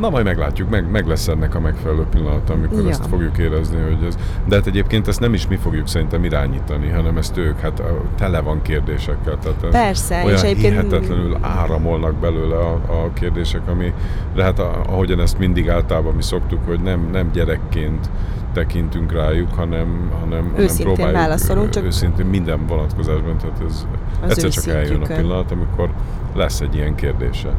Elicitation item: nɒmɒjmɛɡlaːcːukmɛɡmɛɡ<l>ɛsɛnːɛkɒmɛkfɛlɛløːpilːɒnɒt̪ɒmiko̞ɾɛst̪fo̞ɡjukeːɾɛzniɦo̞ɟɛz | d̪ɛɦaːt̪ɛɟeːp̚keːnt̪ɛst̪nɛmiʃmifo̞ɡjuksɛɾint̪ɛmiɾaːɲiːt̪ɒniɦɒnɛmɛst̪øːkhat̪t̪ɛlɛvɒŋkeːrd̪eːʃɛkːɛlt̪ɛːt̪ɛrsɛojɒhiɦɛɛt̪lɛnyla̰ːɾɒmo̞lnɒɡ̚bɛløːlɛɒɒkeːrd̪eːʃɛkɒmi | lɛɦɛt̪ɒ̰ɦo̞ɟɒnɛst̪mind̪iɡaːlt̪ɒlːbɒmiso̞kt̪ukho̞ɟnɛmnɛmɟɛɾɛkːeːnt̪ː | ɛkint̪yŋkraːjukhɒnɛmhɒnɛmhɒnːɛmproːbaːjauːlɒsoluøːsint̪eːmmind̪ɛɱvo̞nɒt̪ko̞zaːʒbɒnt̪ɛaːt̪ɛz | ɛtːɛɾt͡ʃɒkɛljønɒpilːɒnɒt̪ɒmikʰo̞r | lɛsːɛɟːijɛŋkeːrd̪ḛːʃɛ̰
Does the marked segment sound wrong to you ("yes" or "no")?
no